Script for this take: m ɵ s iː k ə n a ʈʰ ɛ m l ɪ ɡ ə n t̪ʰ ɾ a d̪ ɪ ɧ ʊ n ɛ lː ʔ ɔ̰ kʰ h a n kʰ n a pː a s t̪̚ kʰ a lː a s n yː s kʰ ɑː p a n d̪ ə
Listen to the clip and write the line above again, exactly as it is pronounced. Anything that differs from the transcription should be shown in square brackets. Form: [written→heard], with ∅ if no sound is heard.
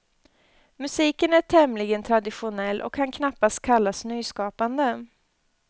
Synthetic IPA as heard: m ɵ s iː k ə n [a→æ] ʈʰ ɛ m l ɪ ɡ ə n t̪ʰ ɾ a d̪ ɪ ɧ ʊ n ɛ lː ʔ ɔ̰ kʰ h a n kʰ n a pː a s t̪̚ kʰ a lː a s n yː s [kʰ→k] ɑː p a n d̪ ə